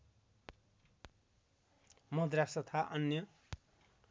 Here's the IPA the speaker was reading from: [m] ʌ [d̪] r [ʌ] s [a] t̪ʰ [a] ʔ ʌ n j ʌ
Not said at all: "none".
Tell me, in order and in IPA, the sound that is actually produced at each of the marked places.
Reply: m, d̪, a, ʌ, a

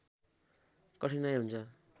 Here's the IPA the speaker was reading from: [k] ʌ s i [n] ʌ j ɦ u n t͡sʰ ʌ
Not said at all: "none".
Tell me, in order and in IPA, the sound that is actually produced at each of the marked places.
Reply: k, n

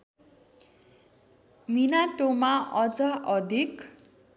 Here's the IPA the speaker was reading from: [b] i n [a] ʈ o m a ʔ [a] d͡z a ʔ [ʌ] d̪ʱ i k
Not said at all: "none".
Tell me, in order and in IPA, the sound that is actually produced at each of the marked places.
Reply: m, a, ʌ, ʌ

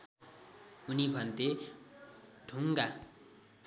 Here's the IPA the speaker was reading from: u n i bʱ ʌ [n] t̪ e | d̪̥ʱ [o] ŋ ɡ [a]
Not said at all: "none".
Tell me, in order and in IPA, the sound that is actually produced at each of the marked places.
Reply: n, u, a

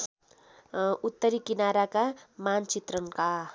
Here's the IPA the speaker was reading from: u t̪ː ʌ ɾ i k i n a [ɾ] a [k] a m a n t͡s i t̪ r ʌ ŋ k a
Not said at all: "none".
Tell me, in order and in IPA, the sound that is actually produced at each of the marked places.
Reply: ɾ, k

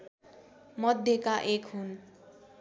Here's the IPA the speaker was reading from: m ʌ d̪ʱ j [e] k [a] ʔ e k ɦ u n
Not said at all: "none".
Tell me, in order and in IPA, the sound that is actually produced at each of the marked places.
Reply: e, a

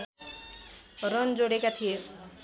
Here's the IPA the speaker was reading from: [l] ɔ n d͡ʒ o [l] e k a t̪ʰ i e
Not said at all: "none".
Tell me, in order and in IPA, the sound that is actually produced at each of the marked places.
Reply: ɾ, ɽ

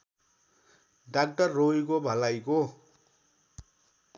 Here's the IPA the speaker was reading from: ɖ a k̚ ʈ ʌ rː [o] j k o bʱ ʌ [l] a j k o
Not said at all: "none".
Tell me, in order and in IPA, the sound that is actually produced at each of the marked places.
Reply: o, l

